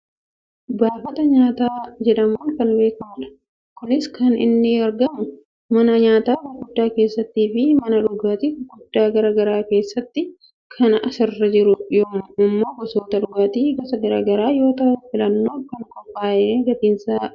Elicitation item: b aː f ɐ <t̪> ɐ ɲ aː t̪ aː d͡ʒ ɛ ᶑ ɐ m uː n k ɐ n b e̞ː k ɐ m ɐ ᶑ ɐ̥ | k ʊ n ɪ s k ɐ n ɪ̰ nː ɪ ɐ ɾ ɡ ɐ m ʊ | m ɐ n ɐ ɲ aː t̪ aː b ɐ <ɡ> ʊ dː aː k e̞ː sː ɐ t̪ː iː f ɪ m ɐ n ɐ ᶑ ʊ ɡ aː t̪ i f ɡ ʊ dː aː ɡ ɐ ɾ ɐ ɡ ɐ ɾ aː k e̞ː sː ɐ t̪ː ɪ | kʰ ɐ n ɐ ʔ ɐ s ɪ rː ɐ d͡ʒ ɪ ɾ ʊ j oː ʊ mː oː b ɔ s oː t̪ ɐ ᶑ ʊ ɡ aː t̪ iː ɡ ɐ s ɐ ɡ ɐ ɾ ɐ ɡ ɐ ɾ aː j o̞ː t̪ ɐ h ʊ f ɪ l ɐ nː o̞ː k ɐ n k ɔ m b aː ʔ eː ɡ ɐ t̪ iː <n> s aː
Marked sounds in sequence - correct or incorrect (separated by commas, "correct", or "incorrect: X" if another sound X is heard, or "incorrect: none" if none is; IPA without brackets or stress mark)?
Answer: correct, correct, correct